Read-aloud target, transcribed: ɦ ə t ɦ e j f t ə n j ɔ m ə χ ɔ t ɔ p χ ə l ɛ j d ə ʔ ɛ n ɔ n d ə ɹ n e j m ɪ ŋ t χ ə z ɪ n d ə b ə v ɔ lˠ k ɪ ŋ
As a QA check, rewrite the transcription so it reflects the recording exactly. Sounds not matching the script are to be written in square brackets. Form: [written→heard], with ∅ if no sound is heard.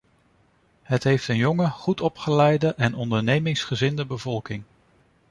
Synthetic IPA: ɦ ə t ɦ e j f t ə n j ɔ [m→ŋ] ə χ [ɔ→u] t ɔ p χ ə l ɛ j d ə ʔ ɛ n ɔ n d ə ɹ n e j m ɪ ŋ [t→s] χ ə z ɪ n d ə b ə v ɔ lˠ k ɪ ŋ

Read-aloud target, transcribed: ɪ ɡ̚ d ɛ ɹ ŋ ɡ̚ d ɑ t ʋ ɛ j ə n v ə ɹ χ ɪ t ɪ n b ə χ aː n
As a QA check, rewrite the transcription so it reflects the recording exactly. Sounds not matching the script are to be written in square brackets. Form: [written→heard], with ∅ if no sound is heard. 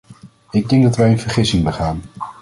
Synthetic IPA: ɪ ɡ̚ d ɛ [ɹ→∅] ŋ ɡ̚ d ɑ t ʋ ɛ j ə n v ə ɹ χ ɪ [t→s] ɪ [n→ŋ] b ə χ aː n

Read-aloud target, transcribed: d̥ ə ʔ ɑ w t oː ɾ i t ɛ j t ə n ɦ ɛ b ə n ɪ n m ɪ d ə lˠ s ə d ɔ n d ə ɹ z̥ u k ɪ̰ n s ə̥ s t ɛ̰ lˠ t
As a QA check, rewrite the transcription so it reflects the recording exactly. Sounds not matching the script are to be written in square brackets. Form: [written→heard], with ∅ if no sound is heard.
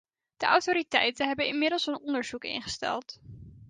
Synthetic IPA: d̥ ə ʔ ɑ w t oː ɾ i t ɛ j t ə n ɦ ɛ b ə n ɪ n m ɪ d ə lˠ s ə [d→n] ɔ n d ə ɹ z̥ u k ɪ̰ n [s→χ] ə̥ s t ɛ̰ lˠ t

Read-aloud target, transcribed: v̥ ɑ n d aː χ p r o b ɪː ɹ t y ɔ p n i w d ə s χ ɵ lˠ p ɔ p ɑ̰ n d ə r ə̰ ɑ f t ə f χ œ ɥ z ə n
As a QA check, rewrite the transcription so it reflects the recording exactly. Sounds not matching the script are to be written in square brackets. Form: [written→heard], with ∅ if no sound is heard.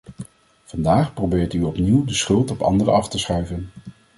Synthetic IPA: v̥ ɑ n d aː χ p r o b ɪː ɹ t y ɔ p n i w d ə s χ ɵ lˠ [p→t] ɔ p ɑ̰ n d ə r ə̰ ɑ f t ə [f→s] χ œ ɥ [z→v] ə n

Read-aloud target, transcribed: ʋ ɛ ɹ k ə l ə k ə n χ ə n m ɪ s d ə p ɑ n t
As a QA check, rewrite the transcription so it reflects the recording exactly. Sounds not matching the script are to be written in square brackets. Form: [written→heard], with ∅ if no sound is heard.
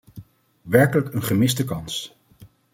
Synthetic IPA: ʋ ɛ ɹ k ə l ə k ə n χ ə [n→∅] m ɪ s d ə [p→k] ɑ n [t→s]

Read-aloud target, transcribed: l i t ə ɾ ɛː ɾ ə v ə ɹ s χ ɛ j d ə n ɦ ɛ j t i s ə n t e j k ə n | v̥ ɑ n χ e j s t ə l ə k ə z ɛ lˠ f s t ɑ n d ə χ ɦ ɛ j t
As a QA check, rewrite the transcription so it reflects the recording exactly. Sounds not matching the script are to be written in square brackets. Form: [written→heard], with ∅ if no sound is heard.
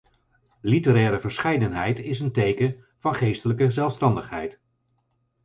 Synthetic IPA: l i t ə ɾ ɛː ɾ ə v ə ɹ s χ ɛ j d ə n ɦ ɛ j t [i→ɪ] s ə n t e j k ə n | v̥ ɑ n χ e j s t ə l ə k ə z ɛ lˠ f s t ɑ n d ə χ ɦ ɛ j t

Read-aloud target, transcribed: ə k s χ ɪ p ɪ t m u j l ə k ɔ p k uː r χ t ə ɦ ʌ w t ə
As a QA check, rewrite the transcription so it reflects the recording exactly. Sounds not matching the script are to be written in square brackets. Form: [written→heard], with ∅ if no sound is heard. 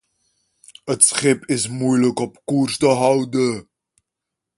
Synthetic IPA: ə [k→t] s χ ɪ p ɪ [t→s] m u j l ə k ɔ p k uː r [χ→s] t ə ɦ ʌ w [t→d] ə

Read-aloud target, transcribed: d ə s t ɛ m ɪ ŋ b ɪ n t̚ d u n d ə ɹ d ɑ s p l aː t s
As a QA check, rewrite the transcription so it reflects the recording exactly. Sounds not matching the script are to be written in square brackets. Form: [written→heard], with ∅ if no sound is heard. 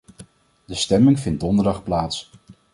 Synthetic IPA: d ə s t ɛ m ɪ ŋ [b→v] ɪ n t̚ d [u→ɔ] n d ə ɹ d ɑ [s→χ] p l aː t s

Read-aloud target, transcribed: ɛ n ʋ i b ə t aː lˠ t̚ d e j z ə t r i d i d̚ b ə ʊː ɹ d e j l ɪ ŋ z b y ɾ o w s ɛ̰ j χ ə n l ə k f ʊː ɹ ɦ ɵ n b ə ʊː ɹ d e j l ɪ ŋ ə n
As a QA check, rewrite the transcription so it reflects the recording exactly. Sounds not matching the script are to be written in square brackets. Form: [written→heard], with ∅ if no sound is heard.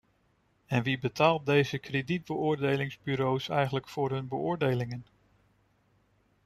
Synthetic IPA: ɛ n ʋ i b ə t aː lˠ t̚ d e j z ə [t→k] r [i→e] d i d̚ b ə ʊː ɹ d e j l ɪ ŋ z b y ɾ o w s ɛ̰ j χ ə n l ə k f ʊː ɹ ɦ ɵ n b ə ʊː ɹ d e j l ɪ ŋ ə n

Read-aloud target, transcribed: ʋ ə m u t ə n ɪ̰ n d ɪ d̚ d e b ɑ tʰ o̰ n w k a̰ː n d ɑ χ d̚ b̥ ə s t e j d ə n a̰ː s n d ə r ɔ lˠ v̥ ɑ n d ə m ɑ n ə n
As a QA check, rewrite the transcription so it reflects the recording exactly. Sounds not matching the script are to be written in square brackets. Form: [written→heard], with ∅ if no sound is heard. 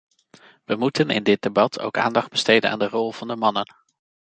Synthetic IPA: ʋ ə m u t ə n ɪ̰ n d ɪ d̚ d e b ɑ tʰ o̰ [n→∅] w k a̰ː n d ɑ χ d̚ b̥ ə s t e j d ə n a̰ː [s→∅] n d ə r ɔ lˠ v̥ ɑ n d ə m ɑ n ə n

